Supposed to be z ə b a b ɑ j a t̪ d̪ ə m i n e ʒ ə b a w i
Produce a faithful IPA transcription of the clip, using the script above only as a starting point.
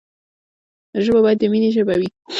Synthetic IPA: ʒ ə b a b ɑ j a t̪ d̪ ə m i n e ʒ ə b a w i